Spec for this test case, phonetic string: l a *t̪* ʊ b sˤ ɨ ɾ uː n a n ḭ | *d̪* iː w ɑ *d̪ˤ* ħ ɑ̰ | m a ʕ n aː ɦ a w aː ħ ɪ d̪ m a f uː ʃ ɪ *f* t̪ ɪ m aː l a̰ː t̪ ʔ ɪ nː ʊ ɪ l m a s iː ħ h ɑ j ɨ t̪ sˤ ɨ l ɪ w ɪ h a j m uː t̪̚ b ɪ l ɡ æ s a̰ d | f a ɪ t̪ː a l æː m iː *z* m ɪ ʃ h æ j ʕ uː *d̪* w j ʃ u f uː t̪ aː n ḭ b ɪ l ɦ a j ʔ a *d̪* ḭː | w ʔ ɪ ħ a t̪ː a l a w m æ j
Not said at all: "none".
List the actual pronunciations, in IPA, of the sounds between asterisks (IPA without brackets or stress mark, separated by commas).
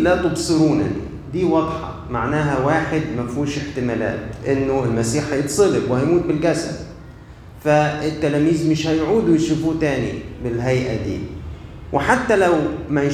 t̪, d̪, d̪ˤ, ħ, z, d̪, d̪